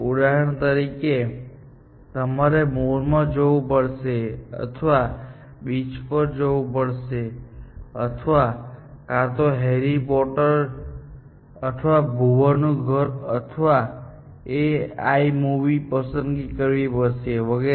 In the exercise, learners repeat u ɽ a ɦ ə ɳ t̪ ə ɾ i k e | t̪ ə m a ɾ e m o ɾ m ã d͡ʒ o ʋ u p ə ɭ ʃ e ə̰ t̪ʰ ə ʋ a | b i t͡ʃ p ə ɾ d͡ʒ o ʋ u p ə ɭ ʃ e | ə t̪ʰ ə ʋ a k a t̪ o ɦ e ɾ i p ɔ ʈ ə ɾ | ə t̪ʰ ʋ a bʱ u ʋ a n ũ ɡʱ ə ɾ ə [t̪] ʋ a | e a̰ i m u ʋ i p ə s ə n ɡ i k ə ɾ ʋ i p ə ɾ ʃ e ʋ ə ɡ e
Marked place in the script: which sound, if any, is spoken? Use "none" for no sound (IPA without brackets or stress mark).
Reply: t̪ʰ